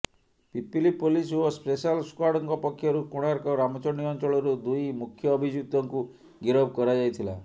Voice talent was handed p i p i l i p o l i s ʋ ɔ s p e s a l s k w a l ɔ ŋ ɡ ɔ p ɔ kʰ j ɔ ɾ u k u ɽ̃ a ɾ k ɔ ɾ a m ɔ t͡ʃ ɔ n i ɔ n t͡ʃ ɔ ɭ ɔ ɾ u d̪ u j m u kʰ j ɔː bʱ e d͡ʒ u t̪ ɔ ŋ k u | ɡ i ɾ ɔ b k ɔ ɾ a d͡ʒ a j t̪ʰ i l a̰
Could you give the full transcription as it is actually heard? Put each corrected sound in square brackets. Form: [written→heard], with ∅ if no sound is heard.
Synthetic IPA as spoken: p i p i l i p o l i s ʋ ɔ s p e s a l s k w a [l→ɽ] ɔ ŋ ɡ ɔ p ɔ kʰ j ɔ ɾ u k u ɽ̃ a ɾ k ɔ ɾ a m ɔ t͡ʃ ɔ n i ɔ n t͡ʃ ɔ ɭ ɔ ɾ u d̪ u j m u kʰ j ɔː bʱ [e→i] d͡ʒ u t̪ ɔ ŋ k u | ɡ i ɾ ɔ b k ɔ ɾ a d͡ʒ a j t̪ʰ i l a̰